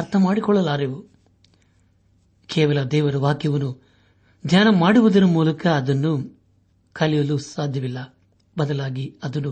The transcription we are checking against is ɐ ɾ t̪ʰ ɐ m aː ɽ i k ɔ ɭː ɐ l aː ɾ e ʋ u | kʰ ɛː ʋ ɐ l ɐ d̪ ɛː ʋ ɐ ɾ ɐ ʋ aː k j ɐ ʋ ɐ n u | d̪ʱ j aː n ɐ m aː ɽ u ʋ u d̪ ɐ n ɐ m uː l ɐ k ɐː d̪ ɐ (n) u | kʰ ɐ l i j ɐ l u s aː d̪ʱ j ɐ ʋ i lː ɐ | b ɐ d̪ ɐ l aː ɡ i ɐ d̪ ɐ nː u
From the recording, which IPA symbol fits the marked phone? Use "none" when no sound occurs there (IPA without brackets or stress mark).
nː